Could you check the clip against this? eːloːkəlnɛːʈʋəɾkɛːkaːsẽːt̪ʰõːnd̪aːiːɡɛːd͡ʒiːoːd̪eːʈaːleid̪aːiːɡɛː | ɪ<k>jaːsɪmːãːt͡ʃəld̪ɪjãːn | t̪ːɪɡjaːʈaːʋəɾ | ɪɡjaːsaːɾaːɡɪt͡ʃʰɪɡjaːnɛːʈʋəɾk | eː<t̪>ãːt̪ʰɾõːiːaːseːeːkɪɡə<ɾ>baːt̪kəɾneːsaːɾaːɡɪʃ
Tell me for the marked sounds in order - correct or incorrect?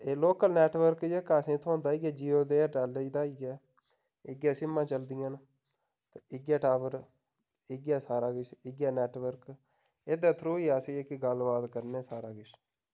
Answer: incorrect, incorrect, incorrect

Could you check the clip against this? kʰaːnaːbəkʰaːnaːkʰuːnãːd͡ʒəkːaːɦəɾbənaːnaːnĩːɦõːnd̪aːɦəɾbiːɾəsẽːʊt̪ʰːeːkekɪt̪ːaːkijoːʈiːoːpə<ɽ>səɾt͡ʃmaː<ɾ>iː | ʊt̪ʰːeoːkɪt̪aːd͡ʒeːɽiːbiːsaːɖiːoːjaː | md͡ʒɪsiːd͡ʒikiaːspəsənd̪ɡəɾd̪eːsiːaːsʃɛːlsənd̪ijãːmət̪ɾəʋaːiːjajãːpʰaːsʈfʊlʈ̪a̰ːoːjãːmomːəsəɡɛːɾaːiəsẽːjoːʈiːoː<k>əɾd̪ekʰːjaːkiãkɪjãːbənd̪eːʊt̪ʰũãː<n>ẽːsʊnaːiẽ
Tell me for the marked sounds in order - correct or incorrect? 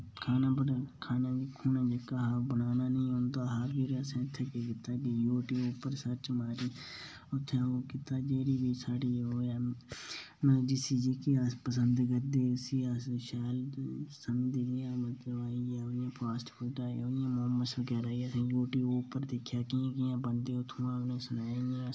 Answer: incorrect, correct, incorrect, correct

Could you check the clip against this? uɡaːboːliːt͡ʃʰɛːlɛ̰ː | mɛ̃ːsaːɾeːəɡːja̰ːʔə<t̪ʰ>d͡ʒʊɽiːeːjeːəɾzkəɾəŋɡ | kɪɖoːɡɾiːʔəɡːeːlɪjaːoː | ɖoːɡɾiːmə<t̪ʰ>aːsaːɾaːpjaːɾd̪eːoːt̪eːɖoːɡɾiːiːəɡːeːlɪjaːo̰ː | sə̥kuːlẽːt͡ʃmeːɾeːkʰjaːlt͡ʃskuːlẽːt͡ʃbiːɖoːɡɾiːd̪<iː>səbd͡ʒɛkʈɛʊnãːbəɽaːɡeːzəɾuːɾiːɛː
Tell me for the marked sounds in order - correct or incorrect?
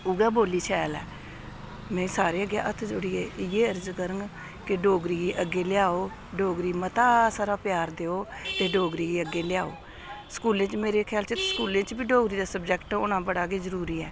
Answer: correct, incorrect, incorrect

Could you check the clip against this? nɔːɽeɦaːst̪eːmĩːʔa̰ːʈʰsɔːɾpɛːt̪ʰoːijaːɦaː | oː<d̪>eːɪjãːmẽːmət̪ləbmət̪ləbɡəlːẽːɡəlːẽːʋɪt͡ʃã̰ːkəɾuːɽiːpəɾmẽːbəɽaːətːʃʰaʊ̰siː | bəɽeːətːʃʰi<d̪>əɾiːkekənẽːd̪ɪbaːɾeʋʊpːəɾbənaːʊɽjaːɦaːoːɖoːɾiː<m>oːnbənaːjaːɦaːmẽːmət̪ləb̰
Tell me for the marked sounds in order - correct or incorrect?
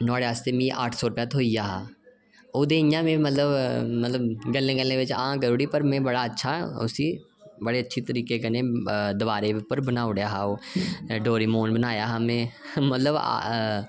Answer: correct, incorrect, correct

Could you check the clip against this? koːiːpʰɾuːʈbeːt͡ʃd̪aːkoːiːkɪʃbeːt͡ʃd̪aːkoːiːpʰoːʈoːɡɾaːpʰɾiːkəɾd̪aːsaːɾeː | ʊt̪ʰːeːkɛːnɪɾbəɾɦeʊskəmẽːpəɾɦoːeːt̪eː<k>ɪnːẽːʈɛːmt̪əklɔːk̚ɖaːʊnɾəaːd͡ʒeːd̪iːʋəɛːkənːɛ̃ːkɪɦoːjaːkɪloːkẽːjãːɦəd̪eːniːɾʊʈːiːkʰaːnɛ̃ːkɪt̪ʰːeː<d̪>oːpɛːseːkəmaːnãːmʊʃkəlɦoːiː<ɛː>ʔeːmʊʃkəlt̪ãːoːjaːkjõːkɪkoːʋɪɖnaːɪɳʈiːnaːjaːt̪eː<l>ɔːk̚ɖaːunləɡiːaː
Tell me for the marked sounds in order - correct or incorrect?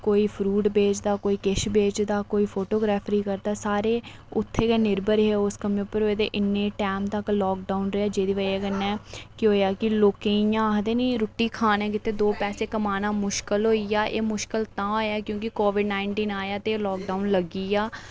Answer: incorrect, correct, incorrect, correct

